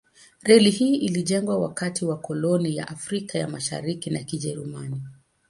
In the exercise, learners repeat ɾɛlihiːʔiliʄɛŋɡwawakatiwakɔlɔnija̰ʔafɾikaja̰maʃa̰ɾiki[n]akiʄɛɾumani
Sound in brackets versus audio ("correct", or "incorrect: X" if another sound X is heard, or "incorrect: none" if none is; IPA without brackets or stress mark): correct